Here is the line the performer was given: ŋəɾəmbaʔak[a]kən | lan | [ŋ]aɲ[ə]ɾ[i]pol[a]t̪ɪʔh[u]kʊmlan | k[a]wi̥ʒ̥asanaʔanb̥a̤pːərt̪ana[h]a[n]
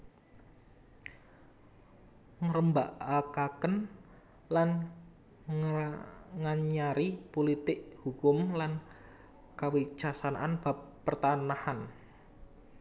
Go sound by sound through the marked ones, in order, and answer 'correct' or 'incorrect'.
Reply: correct, correct, incorrect: a, correct, incorrect: i, correct, correct, correct, correct

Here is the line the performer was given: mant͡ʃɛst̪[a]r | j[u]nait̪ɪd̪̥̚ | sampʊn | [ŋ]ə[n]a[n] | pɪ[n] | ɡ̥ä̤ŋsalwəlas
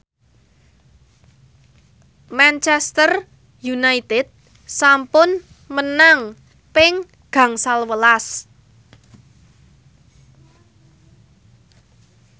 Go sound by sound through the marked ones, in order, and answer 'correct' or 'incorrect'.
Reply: incorrect: ə, correct, incorrect: m, correct, incorrect: ŋ, incorrect: ŋ

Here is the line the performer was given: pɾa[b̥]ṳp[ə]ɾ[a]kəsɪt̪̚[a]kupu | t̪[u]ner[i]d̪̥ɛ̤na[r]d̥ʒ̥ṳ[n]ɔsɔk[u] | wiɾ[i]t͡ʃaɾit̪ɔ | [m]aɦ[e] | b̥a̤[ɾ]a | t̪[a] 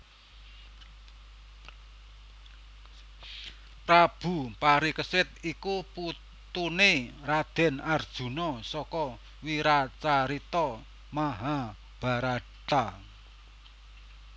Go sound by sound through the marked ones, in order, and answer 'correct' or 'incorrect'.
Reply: correct, incorrect: a, incorrect: i, incorrect: i, correct, incorrect: a, correct, correct, incorrect: ɔ, incorrect: a, correct, incorrect: a, correct, correct

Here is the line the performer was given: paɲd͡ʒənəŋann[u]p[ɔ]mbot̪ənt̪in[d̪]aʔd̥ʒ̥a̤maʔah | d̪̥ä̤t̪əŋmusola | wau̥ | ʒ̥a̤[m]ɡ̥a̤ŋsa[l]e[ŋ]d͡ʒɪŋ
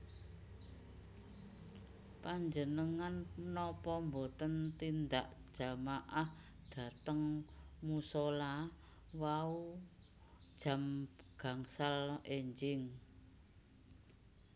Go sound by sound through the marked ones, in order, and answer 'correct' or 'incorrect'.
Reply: incorrect: ɔ, correct, correct, correct, correct, incorrect: ɲ

